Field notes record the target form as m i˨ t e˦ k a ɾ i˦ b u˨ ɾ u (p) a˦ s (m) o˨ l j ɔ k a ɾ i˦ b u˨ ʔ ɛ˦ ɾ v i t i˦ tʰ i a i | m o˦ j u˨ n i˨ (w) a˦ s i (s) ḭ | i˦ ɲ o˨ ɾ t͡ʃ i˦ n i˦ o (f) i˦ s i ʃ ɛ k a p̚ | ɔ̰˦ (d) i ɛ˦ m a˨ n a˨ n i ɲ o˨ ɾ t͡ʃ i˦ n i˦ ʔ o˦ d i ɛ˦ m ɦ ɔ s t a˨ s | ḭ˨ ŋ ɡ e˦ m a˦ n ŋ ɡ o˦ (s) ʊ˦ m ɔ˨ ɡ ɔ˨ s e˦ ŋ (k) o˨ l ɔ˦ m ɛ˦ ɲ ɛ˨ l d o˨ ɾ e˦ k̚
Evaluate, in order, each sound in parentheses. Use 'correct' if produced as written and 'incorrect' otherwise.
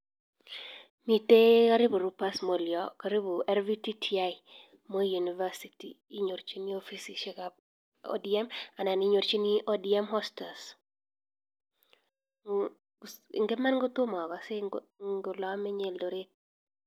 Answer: correct, correct, incorrect, incorrect, correct, correct, incorrect, incorrect

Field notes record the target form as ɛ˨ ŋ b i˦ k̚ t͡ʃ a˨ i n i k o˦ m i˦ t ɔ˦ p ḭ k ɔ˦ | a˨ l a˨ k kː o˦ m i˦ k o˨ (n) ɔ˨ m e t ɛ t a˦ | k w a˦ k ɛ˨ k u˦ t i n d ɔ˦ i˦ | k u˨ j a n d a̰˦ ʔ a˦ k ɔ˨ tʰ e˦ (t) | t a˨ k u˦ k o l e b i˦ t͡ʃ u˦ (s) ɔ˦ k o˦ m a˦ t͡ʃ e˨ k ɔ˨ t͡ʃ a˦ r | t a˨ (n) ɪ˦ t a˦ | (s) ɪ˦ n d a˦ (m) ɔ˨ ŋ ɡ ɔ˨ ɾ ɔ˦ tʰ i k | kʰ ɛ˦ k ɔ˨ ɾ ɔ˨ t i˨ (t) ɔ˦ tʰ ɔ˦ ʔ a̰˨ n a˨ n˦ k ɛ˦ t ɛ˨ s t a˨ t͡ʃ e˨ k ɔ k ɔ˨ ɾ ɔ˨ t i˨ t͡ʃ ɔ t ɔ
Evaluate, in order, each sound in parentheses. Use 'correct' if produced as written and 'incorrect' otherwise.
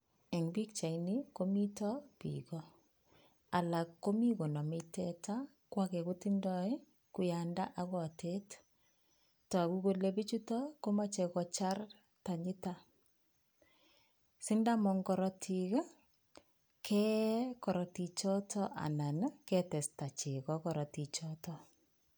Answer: correct, correct, incorrect, incorrect, correct, correct, incorrect

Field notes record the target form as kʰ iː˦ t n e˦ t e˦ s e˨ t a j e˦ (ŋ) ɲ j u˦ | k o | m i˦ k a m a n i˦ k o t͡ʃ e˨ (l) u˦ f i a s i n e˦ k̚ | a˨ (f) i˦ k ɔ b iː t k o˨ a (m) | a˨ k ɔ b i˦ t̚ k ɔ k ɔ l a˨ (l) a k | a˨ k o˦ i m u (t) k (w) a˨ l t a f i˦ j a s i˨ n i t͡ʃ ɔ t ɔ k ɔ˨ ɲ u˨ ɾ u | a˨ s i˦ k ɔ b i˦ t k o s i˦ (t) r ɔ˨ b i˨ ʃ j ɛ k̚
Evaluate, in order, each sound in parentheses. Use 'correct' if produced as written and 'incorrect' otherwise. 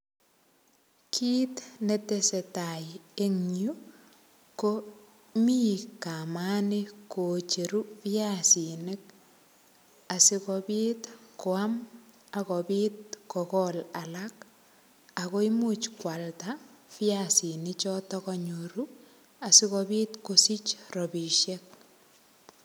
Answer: correct, incorrect, incorrect, correct, correct, incorrect, correct, incorrect

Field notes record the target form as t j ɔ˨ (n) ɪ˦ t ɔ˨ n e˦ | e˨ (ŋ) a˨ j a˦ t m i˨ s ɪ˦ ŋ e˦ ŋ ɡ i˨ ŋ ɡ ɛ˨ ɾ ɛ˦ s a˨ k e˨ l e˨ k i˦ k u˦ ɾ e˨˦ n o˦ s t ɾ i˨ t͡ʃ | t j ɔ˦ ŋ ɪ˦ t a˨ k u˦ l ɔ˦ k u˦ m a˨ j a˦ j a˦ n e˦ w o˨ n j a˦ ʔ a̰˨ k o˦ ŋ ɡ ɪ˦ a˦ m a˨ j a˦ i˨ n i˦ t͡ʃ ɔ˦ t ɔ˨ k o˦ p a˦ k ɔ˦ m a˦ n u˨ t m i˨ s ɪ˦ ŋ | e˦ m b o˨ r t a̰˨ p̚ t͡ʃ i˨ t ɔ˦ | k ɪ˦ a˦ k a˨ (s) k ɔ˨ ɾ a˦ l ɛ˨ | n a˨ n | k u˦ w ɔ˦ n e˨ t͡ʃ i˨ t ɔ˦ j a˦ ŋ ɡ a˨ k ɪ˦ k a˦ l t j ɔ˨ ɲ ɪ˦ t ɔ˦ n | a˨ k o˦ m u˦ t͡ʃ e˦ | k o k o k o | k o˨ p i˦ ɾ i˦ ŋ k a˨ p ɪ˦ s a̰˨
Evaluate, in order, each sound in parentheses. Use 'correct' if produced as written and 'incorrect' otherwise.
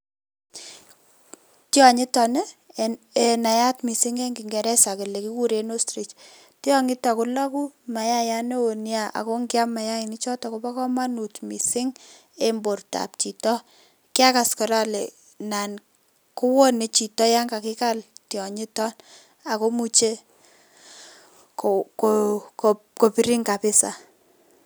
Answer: incorrect, incorrect, correct

